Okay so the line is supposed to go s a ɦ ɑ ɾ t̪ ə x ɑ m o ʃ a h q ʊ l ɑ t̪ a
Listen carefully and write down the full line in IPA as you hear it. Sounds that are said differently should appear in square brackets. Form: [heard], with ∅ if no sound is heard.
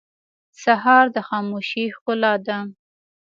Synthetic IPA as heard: s a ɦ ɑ ɾ [d̪] ə x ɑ m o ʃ [i] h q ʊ l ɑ [d̪] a